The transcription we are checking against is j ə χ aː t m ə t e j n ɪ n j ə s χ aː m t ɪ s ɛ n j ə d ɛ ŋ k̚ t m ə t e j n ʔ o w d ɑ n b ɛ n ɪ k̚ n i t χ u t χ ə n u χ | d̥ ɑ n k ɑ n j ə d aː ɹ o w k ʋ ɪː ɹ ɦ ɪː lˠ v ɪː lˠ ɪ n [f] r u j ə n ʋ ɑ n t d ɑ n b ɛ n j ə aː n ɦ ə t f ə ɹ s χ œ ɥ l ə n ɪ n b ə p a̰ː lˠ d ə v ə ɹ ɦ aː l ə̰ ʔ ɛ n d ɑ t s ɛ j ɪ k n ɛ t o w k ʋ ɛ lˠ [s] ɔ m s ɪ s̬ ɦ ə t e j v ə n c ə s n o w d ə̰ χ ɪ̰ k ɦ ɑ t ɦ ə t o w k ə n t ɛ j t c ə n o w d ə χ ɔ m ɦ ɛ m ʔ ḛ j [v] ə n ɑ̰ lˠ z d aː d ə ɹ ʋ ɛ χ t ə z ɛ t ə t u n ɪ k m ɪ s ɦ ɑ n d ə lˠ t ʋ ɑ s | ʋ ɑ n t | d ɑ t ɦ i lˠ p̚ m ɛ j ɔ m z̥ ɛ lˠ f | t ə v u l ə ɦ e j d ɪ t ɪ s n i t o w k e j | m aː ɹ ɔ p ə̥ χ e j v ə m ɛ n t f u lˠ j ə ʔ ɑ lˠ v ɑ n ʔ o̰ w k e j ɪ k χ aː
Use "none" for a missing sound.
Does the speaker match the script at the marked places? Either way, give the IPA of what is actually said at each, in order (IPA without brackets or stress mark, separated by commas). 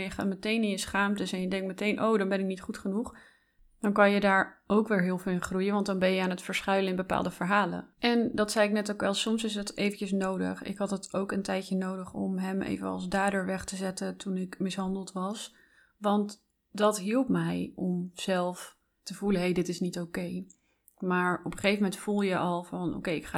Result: χ, s, v